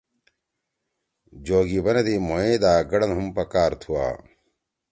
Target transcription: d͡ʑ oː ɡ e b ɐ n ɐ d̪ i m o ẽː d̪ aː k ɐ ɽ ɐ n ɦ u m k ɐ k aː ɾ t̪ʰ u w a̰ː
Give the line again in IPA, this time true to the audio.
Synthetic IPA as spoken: d͡ʑ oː ɡ i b ɐ n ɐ d̪ i m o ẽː d̪ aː ɡ ɐ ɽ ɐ n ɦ u m p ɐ k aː ɾ t̪ʰ u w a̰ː